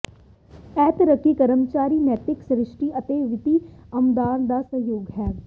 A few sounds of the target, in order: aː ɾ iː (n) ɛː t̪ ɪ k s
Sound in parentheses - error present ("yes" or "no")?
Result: no